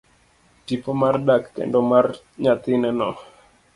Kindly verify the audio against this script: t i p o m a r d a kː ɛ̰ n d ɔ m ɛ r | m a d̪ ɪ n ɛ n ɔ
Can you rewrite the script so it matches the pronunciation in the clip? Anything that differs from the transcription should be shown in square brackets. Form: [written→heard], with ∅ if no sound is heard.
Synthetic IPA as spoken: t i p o m a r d a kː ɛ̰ n d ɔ m [ɛ→a] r | [m→ɲ] a [d̪→t̪] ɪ n ɛ n ɔ

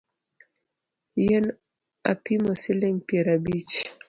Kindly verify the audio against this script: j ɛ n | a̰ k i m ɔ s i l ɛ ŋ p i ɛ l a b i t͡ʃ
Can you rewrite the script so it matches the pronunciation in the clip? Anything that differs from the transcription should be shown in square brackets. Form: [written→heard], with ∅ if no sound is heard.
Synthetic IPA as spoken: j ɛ n | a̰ [k→p] i m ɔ s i l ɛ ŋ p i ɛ [l→ɾ] a b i t͡ʃ

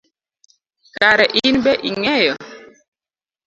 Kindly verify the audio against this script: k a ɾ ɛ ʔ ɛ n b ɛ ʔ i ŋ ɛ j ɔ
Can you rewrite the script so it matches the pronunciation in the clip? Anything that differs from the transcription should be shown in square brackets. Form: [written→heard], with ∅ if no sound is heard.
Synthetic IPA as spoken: k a ɾ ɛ ʔ [ɛ→i] n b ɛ ʔ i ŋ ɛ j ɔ

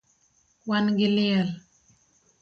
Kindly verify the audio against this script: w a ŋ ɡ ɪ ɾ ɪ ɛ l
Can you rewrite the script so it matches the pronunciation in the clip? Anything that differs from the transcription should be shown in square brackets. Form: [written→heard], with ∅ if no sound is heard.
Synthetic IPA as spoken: w a [ŋ→n] ɡ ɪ [ɾ→l] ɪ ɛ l

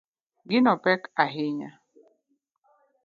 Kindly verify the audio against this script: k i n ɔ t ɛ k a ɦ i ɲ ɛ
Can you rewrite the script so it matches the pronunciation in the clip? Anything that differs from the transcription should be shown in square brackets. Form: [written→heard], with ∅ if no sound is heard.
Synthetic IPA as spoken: [k→ɡ] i n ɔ [t→p] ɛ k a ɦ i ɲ [ɛ→a]

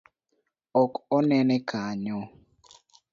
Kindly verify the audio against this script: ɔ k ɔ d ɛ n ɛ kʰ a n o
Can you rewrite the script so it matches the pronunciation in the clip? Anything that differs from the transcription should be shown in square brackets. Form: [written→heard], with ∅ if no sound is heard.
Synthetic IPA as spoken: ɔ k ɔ [d→n] ɛ n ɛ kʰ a [n→ɲ] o

